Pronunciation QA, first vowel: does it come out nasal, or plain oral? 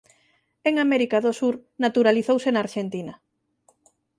oral